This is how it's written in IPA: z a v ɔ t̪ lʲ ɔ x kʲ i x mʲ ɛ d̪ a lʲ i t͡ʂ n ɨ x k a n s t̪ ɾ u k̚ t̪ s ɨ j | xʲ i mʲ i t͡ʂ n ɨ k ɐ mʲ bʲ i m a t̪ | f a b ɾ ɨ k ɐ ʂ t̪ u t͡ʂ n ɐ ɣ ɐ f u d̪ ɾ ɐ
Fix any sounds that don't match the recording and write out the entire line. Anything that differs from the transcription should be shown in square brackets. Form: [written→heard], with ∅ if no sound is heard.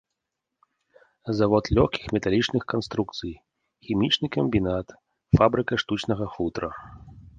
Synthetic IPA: z a v ɔ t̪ lʲ ɔ x kʲ i x mʲ ɛ [d̪→t̪] a lʲ i t͡ʂ n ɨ x k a n s t̪ ɾ u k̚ t̪ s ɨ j | xʲ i mʲ i t͡ʂ n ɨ k ɐ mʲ bʲ i [m→n] a t̪ | f a b ɾ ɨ k ɐ ʂ t̪ u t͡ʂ n ɐ ɣ ɐ f u [d̪→t̪] ɾ ɐ

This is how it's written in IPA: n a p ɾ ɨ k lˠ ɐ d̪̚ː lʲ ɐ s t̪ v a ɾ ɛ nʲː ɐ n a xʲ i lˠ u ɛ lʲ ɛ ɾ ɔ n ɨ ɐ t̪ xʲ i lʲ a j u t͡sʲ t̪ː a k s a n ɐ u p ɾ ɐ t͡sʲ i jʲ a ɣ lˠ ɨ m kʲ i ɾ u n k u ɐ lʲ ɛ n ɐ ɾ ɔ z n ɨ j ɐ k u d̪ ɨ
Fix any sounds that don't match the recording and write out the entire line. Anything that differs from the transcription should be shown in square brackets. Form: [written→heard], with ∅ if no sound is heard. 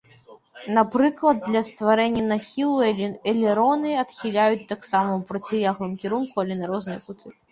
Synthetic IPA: n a p ɾ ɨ k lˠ ɐ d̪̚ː lʲ ɐ s t̪ v a ɾ ɛ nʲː ɐ n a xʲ i lˠ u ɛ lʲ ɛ ɾ ɔ n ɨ ɐ t̪ xʲ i lʲ a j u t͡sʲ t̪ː a k s a [n→m] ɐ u p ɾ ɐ t͡sʲ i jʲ a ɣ lˠ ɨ m kʲ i ɾ u n k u ɐ lʲ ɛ n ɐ ɾ ɔ z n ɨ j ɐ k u [d̪→t̪] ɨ

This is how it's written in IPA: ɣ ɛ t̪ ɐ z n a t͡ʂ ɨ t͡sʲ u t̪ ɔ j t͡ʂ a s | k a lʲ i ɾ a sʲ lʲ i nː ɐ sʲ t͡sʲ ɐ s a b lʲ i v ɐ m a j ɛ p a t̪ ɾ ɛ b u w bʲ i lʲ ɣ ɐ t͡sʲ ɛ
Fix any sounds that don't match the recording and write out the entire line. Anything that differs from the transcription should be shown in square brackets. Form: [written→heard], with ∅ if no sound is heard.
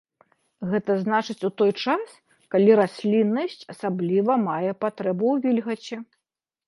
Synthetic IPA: ɣ ɛ t̪ ɐ z n a t͡ʂ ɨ t͡sʲ u t̪ ɔ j t͡ʂ a s | k a lʲ i ɾ a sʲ lʲ i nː ɐ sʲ t͡sʲ ɐ s a b lʲ i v ɐ m a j ɛ p a t̪ ɾ ɛ b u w [bʲ→vʲ] i lʲ ɣ ɐ t͡sʲ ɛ

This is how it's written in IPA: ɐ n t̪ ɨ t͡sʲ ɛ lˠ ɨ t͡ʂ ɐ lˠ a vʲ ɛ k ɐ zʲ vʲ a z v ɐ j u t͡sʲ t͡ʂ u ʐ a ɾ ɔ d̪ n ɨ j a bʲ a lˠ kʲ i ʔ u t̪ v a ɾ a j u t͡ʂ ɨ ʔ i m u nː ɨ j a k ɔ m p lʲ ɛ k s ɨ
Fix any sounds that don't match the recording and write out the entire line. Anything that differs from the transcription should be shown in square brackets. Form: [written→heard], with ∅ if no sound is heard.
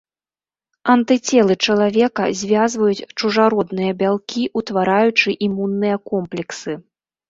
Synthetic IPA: ɐ n t̪ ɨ t͡sʲ ɛ lˠ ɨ t͡ʂ ɐ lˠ a vʲ ɛ k ɐ zʲ vʲ a z v ɐ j u t͡sʲ t͡ʂ u ʐ a ɾ ɔ d̪ n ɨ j [a→ɐ] bʲ a lˠ kʲ i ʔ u t̪ v a ɾ a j u t͡ʂ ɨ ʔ i m u nː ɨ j [a→ɐ] k ɔ m p lʲ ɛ k s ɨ

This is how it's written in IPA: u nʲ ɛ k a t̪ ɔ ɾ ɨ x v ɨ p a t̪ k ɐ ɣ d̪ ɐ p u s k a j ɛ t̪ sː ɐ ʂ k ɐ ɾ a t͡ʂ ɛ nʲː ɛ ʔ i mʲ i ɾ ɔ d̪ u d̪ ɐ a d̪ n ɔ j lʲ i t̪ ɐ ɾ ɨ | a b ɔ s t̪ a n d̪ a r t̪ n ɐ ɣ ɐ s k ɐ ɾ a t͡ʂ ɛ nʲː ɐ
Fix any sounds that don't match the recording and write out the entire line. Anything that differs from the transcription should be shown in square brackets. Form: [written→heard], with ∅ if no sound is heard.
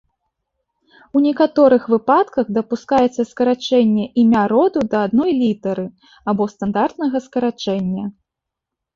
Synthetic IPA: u nʲ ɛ k a t̪ ɔ ɾ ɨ x v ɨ p a t̪ k ɐ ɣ d̪ ɐ p u s k a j ɛ t̪ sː ɐ [ʂ→s] k ɐ ɾ a t͡ʂ ɛ nʲː ɛ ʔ i mʲ [i→a] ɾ ɔ d̪ u d̪ ɐ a d̪ n ɔ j lʲ i t̪ ɐ ɾ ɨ | a b ɔ s t̪ a n d̪ a r t̪ n ɐ ɣ ɐ s k ɐ ɾ a t͡ʂ ɛ nʲː ɐ

